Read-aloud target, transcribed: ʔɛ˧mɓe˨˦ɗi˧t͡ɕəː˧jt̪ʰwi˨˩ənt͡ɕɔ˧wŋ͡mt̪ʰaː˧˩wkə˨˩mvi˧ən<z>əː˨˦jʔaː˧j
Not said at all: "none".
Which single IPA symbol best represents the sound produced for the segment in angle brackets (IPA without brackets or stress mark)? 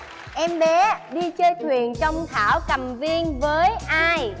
v